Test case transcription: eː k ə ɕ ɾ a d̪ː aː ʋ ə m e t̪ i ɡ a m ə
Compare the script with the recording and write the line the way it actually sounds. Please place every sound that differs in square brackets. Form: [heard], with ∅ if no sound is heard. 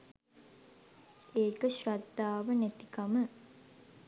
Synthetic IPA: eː k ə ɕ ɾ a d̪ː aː ʋ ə [n] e t̪ i [k] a m ə